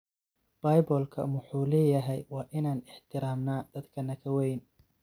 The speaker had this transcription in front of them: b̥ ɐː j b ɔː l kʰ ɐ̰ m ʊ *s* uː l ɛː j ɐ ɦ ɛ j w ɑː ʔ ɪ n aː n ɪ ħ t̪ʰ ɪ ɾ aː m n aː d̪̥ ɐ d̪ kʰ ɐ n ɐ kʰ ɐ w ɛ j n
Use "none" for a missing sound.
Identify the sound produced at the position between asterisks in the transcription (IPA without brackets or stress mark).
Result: ħ